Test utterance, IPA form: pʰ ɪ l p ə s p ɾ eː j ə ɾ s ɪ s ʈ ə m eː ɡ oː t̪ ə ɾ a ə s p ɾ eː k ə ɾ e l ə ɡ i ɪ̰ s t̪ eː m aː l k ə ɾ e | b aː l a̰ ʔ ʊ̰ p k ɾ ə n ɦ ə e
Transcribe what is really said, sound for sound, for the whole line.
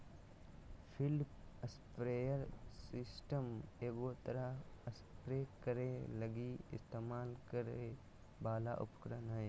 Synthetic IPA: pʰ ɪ l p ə s p ɾ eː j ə ɾ s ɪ s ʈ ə m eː ɡ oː t̪ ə ɾ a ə s p ɾ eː k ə ɾ e l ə ɡ i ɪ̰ s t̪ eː m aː l k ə ɾ e | b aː l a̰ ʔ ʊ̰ p k ɾ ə n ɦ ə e

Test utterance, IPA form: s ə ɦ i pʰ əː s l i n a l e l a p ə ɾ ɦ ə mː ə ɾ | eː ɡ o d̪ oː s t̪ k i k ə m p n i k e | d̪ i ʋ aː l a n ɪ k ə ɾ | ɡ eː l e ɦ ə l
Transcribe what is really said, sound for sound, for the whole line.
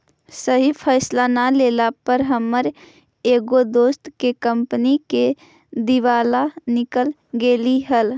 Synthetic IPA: s ə ɦ i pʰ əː s l a n a l e l a p ə ɾ ɦ ə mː ə ɾ | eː ɡ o d̪ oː s t̪ k e k ə m p n i k e | d̪ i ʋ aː l a n ɪ k ə l | ɡ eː l i ɦ ə l

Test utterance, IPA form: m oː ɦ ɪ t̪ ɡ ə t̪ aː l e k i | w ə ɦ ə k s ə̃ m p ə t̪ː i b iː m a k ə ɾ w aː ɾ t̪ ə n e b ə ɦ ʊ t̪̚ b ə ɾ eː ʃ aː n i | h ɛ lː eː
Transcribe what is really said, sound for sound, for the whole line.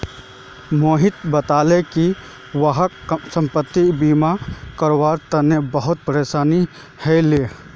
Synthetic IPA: m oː ɦ ɪ t̪ b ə t̪ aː l e k i | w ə ɦ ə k s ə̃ m p ə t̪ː i b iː m a k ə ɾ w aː ɾ t̪ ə n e b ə ɦ ʊ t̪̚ p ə ɾ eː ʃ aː n i | h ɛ l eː

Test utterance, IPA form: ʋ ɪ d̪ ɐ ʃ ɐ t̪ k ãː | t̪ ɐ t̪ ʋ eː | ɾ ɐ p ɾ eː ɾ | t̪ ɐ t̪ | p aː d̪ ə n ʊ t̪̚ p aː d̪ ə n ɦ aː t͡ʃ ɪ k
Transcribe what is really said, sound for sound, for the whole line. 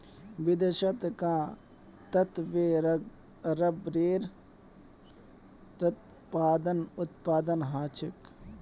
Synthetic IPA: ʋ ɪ d̪ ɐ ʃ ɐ t̪ k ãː | t̪ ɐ t̪ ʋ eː | ɾ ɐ b ɾ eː ɾ | t̪ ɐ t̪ | p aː d̪ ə n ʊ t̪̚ p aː d̪ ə n ɦ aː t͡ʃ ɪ k

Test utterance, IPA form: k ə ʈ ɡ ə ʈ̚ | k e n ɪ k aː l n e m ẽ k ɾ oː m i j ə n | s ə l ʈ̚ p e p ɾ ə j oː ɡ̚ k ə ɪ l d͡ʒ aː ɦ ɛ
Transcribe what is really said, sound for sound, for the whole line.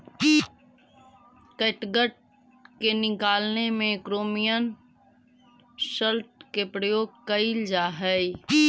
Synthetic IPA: k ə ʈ ɡ ə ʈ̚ | k e n ɪ k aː l n e m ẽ k ɾ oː m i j ə n | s ə l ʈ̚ k e p ɾ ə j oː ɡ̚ k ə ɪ l d͡ʒ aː ɦ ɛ

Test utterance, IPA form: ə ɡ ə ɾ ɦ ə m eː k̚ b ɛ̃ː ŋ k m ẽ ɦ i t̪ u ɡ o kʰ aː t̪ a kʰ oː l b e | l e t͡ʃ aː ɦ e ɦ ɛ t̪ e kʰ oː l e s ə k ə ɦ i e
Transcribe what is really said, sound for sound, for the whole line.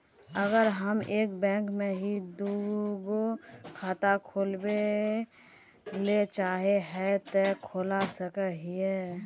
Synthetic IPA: ə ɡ ə ɾ ɦ ə m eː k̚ b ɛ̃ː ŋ k m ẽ ɦ i d̪ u ɡ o kʰ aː t̪ a kʰ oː l b e | l e t͡ʃ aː ɦ e ɦ ɛ t̪ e kʰ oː l a s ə k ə ɦ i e

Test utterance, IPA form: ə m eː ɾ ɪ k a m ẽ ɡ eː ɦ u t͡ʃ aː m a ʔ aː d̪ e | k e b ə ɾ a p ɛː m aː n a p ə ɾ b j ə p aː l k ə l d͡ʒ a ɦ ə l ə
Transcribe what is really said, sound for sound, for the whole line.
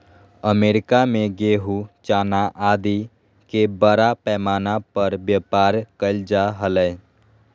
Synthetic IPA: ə m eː ɾ ɪ k a m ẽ ɡ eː ɦ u t͡ʃ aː n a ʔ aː d̪ i | k e b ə ɾ a p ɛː m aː n a p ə ɾ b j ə p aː ɾ k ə l d͡ʒ a ɦ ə l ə

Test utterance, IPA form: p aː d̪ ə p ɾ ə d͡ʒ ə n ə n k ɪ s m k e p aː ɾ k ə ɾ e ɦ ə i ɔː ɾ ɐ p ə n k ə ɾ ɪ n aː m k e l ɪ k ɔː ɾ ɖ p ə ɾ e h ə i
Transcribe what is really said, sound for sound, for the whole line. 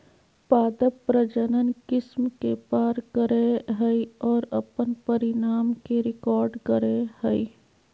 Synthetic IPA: p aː d̪ ə p ɾ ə d͡ʒ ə n ə n k ɪ s m k e p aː ɾ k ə ɾ e ɦ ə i ɔː ɾ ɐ p ə n p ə ɾ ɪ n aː m k e ɾ ɪ k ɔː ɾ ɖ k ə ɾ e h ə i

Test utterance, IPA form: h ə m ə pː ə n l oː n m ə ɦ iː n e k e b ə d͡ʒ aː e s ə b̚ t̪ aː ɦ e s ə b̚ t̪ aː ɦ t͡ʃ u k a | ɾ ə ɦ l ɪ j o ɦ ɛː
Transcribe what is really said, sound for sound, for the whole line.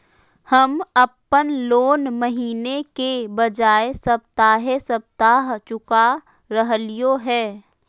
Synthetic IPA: h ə m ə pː ə n l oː n m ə ɦ iː n e k e b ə d͡ʒ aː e s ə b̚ t̪ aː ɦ e s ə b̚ t̪ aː ɦ t͡ʃ ʊ k a | ɾ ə ɦ l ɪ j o ɦ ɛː

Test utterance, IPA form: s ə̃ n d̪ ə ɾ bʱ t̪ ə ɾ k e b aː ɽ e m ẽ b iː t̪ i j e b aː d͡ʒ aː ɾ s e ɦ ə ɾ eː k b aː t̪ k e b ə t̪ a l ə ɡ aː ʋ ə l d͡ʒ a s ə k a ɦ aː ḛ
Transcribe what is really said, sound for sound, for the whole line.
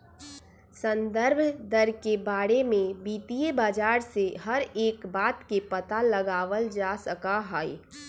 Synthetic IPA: s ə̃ n d̪ ə ɾ bʱ d̪ ə ɾ k e b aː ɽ e m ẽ b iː t̪ i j e b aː d͡ʒ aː ɾ s e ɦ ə ɾ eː k b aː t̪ k e p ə t̪ a l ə ɡ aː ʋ ə l d͡ʒ a s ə k a ɦ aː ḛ

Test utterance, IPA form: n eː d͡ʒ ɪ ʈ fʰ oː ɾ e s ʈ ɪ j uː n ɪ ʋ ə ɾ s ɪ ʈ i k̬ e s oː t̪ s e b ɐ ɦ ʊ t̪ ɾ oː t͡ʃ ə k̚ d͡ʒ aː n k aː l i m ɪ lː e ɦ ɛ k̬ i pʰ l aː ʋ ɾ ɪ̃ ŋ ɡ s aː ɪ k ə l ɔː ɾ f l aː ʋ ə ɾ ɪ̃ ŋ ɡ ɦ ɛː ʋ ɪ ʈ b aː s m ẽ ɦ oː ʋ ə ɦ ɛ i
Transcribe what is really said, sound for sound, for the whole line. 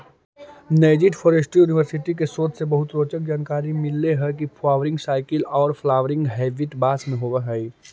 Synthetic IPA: n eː d͡ʒ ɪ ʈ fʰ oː ɾ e s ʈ i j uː n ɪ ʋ ə ɾ s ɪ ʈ i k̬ e s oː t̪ s e b ɐ ɦ ʊ t̪ ɾ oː t͡ʃ ə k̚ d͡ʒ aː n k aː ɾ i m ɪ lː e ɦ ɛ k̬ i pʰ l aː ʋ ɾ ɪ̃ ŋ ɡ s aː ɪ k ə l ɔː ɾ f l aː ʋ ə ɾ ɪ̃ ŋ ɡ ɦ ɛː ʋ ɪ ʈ b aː s m ẽ ɦ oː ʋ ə ɦ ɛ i

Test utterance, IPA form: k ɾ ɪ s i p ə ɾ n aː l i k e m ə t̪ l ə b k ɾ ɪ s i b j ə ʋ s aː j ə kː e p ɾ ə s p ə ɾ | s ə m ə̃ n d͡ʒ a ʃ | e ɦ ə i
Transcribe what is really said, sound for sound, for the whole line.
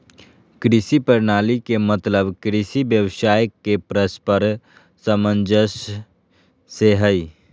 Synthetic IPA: k ɾ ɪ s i p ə ɾ n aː l i k e m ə t̪ l ə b k ɾ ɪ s i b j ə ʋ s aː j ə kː e p ɾ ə s p ə ɾ | s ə m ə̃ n d͡ʒ ə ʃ | e ɦ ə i

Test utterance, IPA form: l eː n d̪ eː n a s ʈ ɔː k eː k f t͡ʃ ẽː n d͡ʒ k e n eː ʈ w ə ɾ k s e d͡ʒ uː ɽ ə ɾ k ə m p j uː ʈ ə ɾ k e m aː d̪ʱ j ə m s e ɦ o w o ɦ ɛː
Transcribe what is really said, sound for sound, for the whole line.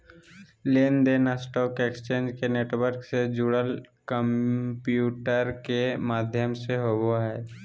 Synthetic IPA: l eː n d̪ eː n a s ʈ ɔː k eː k s t͡ʃ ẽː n d͡ʒ k e n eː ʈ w ə ɾ k s e d͡ʒ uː ɽ ə l k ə m p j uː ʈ ə ɾ k e m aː d̪ʱ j ə m s e ɦ o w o ɦ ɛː

